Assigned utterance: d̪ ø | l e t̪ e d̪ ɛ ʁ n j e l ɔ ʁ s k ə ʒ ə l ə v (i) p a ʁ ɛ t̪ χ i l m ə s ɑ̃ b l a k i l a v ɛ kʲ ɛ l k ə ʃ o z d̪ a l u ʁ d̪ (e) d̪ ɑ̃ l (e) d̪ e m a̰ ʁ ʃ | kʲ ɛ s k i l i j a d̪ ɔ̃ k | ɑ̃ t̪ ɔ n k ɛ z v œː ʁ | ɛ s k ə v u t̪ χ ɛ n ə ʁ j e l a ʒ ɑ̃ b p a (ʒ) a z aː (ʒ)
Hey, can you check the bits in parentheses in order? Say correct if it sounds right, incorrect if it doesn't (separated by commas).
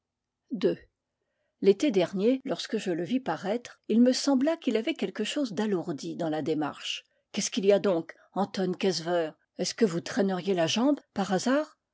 correct, incorrect, incorrect, incorrect, incorrect